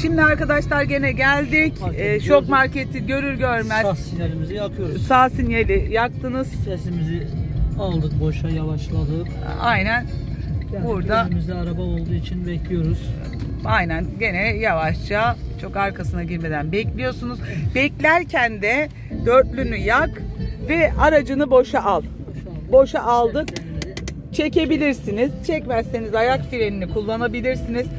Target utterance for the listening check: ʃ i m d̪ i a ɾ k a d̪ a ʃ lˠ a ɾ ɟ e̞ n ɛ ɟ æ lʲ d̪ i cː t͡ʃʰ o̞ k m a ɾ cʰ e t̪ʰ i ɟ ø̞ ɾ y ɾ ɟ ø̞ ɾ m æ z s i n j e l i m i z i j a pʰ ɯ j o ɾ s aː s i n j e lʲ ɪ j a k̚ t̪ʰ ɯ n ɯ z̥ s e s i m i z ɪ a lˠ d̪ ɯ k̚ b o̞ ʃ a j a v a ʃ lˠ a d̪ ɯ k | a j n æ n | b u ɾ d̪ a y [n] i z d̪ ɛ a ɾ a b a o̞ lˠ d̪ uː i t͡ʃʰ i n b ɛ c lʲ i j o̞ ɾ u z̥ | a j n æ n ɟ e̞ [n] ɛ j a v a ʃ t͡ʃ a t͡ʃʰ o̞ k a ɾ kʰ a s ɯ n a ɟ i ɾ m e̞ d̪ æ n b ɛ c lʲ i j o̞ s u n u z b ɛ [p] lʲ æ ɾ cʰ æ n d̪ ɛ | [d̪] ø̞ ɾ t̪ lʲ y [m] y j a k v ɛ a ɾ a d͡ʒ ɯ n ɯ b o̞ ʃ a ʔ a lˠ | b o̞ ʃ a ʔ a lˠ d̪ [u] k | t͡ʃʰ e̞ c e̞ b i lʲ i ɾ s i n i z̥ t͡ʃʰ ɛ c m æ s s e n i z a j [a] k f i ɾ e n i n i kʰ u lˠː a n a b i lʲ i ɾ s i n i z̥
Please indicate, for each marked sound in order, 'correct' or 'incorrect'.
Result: incorrect, correct, incorrect, correct, incorrect, incorrect, correct

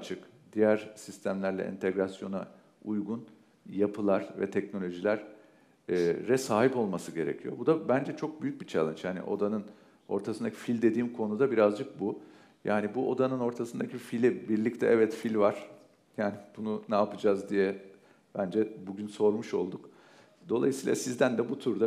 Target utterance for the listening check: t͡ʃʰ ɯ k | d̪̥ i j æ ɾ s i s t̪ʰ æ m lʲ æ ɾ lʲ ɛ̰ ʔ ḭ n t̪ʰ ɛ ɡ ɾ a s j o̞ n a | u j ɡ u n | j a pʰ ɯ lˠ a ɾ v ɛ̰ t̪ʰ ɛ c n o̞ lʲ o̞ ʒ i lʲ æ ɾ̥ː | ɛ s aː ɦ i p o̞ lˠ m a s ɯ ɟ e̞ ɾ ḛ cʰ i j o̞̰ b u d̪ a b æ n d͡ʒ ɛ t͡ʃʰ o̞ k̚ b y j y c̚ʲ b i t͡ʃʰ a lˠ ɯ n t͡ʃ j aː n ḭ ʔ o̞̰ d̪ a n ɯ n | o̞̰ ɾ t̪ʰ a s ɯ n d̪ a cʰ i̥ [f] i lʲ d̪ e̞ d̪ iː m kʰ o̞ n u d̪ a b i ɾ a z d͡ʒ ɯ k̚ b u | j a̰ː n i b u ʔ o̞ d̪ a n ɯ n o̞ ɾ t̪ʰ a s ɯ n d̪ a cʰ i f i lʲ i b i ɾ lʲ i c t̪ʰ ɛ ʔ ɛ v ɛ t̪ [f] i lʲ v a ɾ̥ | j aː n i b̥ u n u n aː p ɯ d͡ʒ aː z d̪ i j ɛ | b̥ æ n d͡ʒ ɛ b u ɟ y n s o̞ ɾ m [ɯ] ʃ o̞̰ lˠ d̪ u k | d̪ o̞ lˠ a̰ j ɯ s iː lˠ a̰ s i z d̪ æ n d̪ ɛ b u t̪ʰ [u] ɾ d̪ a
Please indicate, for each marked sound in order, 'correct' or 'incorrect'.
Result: correct, correct, incorrect, correct

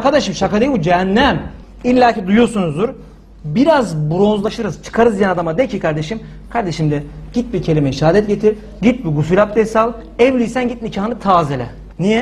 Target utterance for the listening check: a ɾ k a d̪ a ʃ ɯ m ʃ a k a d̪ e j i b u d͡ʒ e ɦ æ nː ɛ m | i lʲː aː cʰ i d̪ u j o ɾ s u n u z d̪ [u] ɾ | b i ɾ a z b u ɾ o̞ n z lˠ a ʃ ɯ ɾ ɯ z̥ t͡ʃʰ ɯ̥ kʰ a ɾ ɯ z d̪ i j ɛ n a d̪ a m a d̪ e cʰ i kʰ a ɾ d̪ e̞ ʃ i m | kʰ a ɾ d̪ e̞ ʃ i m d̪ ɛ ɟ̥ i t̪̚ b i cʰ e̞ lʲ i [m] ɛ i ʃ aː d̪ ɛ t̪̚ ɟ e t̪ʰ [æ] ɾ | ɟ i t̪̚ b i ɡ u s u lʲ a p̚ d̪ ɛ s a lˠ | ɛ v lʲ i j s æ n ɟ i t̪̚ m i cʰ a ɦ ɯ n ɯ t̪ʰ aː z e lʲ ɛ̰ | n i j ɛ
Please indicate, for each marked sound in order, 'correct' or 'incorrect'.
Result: correct, correct, incorrect

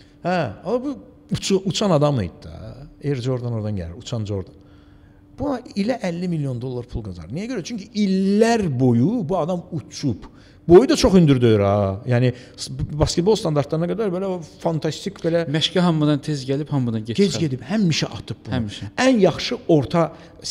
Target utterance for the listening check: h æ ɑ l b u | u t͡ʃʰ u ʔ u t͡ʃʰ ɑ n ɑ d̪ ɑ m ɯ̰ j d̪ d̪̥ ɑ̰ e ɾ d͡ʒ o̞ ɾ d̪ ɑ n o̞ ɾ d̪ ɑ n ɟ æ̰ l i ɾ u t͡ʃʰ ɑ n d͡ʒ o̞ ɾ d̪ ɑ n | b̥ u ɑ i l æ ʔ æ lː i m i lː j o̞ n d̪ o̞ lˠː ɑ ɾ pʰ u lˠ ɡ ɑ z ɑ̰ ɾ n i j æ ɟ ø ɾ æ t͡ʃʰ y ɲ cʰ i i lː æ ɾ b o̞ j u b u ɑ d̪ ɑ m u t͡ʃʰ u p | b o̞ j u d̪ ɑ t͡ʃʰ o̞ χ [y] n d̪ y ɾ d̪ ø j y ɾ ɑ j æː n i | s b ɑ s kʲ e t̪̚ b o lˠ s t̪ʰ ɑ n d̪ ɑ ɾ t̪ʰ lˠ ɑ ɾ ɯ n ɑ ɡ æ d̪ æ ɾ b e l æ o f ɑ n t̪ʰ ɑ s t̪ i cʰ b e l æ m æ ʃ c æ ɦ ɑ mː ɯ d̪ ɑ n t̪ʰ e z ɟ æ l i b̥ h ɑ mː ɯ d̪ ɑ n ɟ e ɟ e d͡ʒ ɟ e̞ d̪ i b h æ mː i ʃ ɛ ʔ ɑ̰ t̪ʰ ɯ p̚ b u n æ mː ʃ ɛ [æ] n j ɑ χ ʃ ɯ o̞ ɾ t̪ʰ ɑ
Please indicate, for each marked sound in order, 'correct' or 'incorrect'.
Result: correct, correct

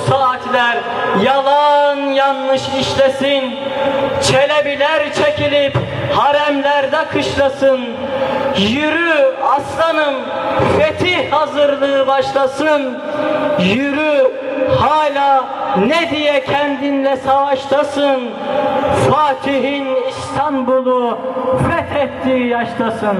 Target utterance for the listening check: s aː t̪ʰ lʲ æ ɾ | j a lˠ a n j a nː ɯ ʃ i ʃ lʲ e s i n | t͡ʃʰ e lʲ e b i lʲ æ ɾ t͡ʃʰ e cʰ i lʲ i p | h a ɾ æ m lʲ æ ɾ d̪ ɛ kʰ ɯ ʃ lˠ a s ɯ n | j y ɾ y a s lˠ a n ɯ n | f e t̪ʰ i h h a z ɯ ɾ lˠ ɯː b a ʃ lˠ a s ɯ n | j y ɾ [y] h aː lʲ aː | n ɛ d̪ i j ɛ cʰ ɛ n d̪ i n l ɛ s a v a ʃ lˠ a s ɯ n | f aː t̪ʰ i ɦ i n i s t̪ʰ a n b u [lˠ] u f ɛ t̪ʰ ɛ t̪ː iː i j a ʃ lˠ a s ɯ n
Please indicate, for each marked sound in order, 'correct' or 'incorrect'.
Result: correct, correct

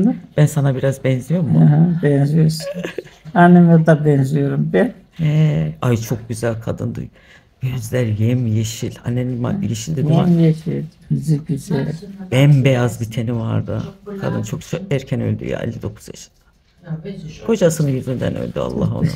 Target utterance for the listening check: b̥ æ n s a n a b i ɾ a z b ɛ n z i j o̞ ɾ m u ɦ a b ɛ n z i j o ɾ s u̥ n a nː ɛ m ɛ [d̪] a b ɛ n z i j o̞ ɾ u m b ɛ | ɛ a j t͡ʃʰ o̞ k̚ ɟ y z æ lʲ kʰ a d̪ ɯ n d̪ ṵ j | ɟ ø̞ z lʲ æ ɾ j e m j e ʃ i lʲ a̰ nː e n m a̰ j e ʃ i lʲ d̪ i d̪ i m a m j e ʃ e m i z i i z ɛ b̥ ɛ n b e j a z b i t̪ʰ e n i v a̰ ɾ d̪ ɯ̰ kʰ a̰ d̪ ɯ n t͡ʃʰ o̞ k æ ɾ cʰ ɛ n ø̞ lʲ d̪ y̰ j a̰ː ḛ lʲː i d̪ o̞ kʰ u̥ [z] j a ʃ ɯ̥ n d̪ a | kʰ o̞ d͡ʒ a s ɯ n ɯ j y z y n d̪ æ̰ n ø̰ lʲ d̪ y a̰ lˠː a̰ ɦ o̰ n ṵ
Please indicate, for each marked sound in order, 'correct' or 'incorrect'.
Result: correct, correct

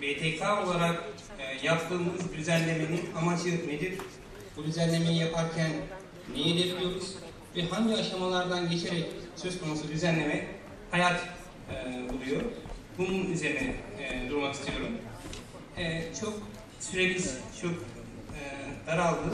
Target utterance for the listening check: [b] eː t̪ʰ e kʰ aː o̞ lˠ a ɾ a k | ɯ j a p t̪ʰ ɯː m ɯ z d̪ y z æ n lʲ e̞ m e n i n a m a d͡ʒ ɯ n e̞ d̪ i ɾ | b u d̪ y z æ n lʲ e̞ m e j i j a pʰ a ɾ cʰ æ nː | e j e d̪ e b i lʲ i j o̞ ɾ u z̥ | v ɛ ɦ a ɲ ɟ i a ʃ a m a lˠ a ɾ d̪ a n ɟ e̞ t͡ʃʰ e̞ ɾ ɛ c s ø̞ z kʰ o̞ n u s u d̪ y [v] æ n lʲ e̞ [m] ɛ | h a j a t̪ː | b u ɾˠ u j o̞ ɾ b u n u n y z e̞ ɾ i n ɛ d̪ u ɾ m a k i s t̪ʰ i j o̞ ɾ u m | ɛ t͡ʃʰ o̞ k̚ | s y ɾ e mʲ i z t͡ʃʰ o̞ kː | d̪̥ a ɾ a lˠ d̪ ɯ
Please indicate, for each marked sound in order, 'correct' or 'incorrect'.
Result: correct, incorrect, correct

